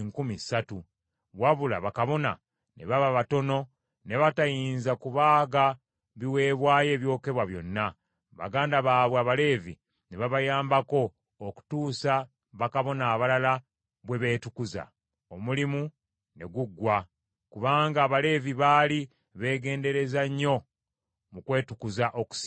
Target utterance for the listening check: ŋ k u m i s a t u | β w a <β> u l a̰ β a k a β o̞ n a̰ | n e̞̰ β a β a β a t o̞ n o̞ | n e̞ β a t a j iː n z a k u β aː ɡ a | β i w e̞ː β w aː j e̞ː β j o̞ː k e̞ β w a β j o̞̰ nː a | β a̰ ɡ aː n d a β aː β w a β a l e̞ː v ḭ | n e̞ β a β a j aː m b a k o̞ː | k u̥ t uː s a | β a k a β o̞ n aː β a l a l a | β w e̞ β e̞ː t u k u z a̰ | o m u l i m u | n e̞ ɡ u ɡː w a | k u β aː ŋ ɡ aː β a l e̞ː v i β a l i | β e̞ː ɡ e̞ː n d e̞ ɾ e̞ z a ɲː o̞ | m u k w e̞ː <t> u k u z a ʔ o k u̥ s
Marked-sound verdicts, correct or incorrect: correct, correct

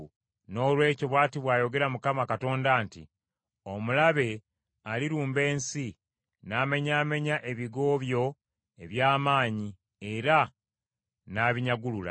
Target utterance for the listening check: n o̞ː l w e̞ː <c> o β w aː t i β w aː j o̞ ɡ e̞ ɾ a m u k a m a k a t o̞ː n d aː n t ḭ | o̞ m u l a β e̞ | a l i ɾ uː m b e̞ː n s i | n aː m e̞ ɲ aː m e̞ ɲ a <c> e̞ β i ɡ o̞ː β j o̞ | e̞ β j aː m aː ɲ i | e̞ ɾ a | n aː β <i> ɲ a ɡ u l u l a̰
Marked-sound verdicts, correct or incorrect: correct, incorrect: ʔ, correct

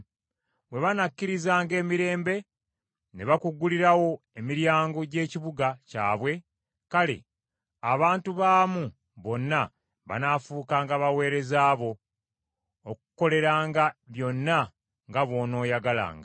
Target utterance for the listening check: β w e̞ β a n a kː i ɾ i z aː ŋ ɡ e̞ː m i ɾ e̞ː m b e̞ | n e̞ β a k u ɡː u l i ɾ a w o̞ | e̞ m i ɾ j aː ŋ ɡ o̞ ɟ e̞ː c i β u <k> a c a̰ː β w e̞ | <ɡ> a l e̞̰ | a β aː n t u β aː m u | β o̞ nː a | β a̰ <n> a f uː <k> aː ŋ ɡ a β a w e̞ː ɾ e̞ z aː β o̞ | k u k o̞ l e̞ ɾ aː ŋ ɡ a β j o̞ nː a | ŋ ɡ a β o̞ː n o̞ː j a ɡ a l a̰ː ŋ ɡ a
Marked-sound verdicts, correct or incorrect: incorrect: ɡ, incorrect: k, correct, correct

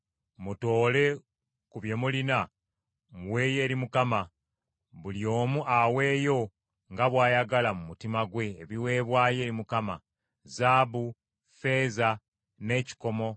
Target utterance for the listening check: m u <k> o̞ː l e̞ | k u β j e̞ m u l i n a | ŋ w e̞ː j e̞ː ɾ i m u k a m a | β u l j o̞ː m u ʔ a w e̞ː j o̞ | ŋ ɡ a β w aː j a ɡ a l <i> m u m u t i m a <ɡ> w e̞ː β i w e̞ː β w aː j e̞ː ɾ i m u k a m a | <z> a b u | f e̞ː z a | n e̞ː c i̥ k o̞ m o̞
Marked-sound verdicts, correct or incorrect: incorrect: t, incorrect: a, correct, correct

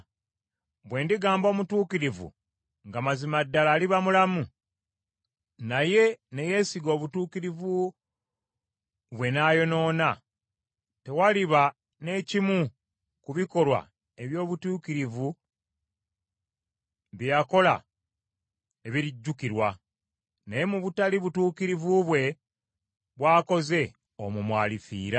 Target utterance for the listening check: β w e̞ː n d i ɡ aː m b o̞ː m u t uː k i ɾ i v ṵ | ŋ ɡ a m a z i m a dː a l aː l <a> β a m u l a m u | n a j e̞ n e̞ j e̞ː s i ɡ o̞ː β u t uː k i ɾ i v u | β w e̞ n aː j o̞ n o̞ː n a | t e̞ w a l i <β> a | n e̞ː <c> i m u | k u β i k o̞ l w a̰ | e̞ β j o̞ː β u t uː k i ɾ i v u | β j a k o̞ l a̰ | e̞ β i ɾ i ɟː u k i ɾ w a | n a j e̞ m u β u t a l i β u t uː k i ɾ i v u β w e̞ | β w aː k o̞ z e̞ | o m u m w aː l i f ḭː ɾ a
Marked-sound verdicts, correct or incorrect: incorrect: i, correct, correct

